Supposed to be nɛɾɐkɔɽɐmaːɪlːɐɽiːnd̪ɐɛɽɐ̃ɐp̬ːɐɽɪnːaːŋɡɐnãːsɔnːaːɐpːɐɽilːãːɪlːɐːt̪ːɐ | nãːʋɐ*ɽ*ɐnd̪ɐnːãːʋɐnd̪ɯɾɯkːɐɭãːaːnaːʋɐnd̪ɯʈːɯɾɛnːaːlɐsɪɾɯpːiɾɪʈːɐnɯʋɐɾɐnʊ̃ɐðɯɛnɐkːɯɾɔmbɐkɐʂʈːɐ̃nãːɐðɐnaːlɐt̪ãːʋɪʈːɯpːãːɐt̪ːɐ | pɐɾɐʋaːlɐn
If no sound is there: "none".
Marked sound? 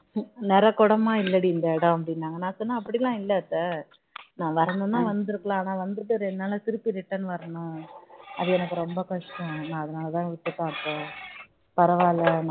ɾ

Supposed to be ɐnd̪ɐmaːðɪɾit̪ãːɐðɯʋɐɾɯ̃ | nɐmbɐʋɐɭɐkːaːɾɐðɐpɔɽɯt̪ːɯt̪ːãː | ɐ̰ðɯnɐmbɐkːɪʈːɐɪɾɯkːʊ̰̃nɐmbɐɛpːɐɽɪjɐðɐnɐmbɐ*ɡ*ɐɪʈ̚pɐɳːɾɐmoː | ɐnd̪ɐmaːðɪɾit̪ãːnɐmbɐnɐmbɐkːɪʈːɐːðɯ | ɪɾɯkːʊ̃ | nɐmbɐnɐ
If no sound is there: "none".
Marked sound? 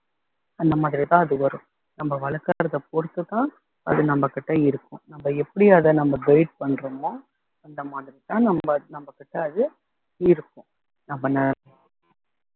ɡ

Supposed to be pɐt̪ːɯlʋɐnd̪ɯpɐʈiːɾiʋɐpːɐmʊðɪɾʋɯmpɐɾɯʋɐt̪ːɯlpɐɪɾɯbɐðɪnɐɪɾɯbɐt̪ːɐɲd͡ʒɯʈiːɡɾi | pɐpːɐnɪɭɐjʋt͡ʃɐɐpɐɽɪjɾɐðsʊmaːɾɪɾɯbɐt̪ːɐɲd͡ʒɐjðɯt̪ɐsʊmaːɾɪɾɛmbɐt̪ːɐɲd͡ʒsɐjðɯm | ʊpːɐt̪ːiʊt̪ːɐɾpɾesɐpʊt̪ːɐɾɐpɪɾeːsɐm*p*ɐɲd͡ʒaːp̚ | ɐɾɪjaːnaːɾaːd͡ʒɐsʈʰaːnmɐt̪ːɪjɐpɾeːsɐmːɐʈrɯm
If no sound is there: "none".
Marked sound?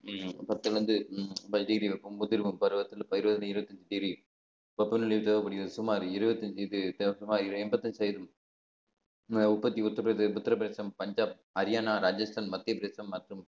p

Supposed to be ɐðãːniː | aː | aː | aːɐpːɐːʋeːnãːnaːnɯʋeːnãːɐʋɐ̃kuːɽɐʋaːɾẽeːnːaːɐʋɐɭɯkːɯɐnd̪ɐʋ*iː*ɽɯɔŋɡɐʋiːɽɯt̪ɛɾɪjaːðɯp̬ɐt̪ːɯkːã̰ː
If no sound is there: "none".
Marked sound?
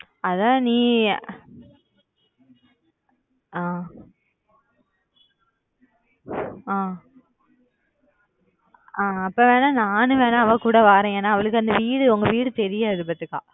iː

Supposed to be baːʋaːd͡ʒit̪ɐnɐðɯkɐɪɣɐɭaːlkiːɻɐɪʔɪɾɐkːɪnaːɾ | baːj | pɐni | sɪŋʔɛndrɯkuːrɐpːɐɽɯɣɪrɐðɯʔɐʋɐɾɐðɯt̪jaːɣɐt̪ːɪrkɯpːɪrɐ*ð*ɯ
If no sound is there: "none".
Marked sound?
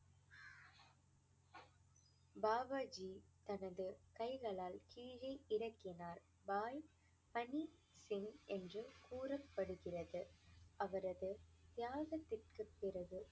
ɣ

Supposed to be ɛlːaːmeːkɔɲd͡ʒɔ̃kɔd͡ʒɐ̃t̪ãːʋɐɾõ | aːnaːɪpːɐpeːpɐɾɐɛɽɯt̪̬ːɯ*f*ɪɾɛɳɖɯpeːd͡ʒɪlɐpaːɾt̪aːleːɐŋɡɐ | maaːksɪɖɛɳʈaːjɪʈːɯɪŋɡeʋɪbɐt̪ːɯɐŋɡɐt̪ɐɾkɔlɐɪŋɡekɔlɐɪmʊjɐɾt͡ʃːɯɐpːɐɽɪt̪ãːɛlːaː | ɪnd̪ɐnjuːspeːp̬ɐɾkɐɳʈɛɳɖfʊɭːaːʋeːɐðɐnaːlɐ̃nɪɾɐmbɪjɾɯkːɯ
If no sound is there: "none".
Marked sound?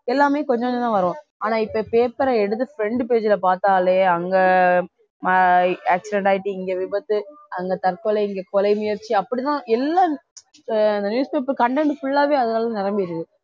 f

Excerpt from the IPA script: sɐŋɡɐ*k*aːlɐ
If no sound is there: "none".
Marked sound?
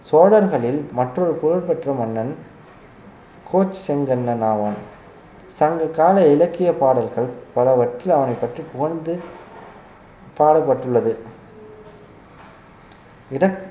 k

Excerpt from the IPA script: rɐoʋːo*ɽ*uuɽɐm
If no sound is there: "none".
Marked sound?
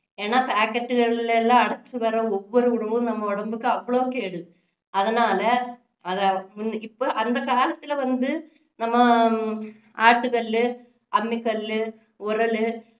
ɾ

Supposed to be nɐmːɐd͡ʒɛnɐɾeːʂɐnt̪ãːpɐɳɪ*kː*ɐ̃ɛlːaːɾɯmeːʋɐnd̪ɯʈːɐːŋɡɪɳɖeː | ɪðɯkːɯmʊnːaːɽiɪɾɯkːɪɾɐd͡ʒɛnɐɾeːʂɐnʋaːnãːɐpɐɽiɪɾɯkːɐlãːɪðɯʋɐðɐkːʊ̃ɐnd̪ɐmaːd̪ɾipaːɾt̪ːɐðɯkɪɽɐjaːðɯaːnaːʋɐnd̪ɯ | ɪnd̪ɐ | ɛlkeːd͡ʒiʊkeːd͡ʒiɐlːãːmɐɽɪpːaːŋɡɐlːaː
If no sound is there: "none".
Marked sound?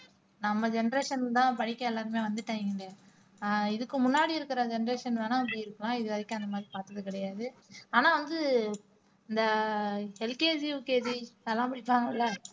kː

